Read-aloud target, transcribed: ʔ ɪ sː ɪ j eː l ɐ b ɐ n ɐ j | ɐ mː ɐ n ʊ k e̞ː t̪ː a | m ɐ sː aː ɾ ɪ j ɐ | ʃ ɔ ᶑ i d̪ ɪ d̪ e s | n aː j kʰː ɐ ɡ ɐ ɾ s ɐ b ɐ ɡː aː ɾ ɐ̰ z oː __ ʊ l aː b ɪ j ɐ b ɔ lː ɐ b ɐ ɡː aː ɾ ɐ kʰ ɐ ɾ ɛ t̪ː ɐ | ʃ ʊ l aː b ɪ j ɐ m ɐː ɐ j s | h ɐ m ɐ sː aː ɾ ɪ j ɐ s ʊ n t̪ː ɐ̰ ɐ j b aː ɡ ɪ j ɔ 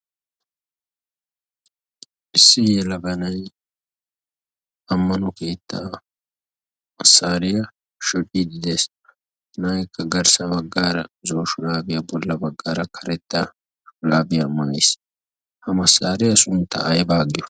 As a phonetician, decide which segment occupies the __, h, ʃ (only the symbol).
ʃ